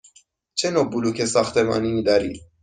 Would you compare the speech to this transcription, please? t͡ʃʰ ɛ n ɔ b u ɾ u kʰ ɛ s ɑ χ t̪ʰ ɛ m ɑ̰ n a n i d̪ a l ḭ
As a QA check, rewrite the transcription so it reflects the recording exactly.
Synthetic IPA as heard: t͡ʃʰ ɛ n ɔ b u l u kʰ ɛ s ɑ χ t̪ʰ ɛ m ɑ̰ n i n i d̪ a ɾ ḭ

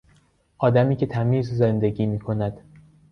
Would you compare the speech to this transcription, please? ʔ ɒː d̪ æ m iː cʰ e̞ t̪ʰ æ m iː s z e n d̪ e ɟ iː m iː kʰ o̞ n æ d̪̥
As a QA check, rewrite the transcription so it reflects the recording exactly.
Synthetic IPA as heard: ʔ ɒː d̪ æ m iː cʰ e̞ t̪ʰ æ m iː z z e n d̪ e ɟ iː m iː kʰ o̞ n æ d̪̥

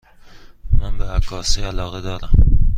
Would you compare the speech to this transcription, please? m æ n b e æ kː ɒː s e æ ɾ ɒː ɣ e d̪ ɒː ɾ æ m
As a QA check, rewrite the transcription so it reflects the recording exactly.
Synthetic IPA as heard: m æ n b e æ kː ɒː s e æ l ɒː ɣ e d̪ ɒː ɾ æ m

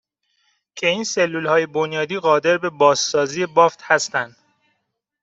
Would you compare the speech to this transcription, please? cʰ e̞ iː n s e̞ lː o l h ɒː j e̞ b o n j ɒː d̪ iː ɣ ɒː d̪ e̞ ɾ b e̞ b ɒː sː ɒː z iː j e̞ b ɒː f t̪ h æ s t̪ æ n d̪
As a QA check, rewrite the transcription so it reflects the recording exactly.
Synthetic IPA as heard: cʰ e̞ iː n s e̞ lː u l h ɒː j e̞ b o n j ɒː d̪ iː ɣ ɒː d̪ e̞ ɾ b e̞ b ɒː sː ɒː z iː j e̞ b ɒː f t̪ h æ s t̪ æ n d̪

